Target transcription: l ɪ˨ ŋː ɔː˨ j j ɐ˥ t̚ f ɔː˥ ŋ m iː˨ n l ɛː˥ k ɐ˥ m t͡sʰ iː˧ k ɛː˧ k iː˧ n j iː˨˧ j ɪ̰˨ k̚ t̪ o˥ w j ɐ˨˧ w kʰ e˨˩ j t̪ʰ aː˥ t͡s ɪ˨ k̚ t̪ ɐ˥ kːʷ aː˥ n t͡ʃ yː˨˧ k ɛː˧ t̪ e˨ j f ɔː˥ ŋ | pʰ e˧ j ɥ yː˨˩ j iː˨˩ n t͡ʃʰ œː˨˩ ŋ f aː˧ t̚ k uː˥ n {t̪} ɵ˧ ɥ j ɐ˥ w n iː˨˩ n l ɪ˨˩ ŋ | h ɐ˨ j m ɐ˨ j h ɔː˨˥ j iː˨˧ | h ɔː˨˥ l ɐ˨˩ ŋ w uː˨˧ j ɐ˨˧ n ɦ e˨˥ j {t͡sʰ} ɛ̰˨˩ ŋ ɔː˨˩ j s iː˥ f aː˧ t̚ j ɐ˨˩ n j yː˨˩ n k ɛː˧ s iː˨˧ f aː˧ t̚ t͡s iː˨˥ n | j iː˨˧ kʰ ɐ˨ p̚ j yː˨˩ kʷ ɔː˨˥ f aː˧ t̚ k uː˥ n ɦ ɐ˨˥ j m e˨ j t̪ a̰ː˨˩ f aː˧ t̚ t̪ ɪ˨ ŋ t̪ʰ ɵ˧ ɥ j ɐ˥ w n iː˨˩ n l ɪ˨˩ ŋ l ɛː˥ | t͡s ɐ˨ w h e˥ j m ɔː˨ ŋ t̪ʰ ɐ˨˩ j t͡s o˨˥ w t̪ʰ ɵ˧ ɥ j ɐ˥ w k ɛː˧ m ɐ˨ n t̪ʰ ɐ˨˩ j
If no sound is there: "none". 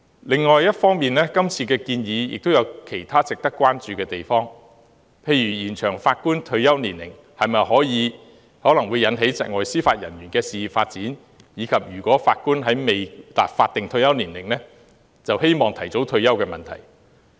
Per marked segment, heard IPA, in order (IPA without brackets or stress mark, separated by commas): t̪ʰ, t͡s